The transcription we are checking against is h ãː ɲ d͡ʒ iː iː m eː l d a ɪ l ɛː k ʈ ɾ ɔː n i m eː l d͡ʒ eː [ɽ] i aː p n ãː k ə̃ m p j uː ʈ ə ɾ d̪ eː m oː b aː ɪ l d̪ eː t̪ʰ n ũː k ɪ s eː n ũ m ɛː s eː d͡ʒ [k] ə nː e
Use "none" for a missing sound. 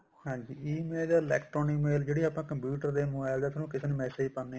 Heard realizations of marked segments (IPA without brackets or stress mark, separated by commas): ɽ, p